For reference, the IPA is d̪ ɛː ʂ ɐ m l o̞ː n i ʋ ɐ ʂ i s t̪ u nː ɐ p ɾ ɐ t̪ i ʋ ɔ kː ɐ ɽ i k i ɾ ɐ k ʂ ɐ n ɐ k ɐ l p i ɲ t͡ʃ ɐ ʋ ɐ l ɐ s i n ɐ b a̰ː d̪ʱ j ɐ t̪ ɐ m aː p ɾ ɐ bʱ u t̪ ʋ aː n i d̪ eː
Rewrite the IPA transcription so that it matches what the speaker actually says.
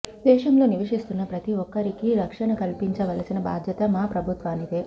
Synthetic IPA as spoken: d̪ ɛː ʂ ɐ m l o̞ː n i ʋ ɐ ʂ i s t̪ u nː ɐ p ɾ ɐ t̪ i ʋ ɔ kː ɐ ɾ i k i ɾ ɐ k ʂ ɐ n ɐ k ɐ l p i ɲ t͡ʃ ɐ ʋ ɐ l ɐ s i n ɐ b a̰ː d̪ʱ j ɐ t̪ ɐ m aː p ɾ ɐ bʱ u t̪ ʋ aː n i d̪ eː